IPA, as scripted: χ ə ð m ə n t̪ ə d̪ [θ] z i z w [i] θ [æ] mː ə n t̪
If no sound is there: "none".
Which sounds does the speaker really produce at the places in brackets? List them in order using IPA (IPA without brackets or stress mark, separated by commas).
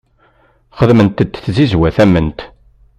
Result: θ, æ, æ